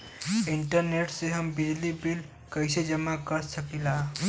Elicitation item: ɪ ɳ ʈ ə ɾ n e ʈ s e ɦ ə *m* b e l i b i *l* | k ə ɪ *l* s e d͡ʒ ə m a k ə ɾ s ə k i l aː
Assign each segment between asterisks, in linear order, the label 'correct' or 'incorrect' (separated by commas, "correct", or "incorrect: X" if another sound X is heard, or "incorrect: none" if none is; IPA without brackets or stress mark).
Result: correct, correct, incorrect: none